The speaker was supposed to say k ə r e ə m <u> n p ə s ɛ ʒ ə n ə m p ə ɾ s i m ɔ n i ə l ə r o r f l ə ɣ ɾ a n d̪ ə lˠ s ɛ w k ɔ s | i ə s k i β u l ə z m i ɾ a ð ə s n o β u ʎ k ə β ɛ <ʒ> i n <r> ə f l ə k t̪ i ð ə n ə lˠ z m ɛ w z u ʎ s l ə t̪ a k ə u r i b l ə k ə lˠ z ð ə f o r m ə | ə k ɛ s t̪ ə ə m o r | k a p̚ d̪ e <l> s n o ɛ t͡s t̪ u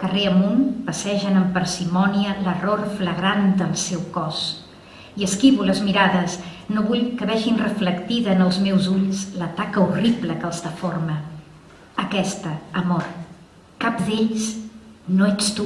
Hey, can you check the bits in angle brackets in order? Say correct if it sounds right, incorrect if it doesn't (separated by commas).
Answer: correct, correct, correct, incorrect